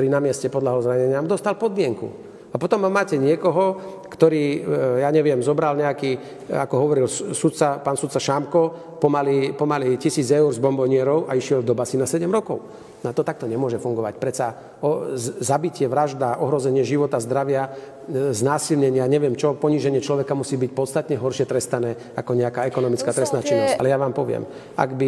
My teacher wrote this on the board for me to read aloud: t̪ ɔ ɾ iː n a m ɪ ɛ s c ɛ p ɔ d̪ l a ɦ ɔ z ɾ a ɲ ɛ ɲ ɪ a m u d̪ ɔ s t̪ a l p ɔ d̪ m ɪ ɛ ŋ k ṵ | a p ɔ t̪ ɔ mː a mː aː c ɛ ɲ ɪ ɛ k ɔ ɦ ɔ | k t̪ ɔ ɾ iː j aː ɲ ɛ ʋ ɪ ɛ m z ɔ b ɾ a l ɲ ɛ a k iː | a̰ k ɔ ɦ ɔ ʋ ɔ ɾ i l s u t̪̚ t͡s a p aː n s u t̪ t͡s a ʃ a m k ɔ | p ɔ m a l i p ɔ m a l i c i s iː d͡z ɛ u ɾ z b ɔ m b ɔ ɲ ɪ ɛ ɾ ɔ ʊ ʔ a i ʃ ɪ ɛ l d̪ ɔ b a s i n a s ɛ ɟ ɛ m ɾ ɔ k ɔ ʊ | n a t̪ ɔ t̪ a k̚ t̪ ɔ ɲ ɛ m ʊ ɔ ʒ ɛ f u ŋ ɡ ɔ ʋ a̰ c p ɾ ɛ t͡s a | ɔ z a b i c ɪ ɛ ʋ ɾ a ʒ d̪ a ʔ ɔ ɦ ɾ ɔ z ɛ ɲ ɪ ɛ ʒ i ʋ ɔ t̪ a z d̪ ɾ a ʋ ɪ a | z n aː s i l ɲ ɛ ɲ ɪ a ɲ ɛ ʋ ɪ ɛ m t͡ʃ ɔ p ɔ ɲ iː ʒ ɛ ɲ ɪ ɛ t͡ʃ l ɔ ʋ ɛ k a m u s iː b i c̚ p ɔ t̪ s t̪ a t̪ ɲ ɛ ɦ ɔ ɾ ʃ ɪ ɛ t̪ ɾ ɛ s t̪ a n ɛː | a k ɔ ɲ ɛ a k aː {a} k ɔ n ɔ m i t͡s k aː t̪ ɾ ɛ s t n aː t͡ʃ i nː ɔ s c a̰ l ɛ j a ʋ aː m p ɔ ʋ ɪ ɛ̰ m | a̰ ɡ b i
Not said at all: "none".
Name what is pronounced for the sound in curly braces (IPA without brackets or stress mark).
ɛ